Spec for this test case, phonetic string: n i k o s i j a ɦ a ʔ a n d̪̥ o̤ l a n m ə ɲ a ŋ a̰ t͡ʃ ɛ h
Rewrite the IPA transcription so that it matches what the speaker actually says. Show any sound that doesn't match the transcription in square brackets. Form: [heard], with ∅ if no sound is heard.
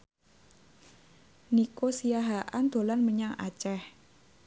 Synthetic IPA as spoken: n i k o s i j a ɦ a ʔ a n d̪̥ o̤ l a n m ə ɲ a ŋ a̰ t͡ʃ ɛ h